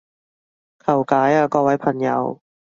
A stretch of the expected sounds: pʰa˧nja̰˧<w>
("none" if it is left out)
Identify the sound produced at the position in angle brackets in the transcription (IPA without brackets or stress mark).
w